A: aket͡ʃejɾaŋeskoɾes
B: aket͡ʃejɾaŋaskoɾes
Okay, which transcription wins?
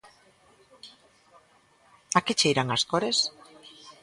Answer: B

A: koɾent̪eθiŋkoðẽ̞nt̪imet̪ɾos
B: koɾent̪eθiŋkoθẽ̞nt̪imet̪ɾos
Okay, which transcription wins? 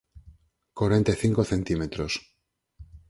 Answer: B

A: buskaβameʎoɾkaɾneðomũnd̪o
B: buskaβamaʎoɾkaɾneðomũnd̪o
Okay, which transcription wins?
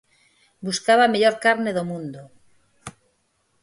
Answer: A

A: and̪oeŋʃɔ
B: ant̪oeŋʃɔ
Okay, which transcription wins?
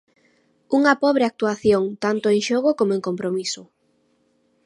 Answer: B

